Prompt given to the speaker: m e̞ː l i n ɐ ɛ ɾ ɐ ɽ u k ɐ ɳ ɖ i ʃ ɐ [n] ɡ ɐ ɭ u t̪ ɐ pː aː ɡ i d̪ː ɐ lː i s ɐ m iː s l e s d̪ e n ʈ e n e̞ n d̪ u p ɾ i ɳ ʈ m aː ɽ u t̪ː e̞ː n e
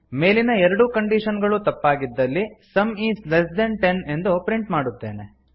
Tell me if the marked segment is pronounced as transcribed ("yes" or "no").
yes